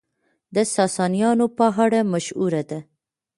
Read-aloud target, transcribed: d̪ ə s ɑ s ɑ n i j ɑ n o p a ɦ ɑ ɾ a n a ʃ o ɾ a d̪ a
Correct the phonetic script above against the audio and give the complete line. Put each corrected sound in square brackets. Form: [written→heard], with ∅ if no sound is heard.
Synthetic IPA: d̪ ə s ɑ s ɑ n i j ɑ n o p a ɦ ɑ [ɾ→ɽ] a [n→m] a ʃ [o→u] ɾ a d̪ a